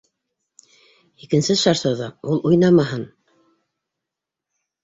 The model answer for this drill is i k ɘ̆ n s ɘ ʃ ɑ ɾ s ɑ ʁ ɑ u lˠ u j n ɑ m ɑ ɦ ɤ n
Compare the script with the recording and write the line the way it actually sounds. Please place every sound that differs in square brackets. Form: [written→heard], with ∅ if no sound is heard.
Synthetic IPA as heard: i k ɘ̆ n s ɘ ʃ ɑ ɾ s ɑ [ʁ→ð] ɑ u lˠ u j n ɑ m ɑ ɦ ɤ n